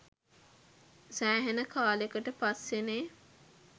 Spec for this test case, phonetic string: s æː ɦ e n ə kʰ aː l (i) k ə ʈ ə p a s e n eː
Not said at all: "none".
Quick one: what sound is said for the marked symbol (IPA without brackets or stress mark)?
e